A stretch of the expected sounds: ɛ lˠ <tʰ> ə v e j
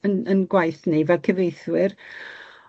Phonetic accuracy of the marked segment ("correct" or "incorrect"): incorrect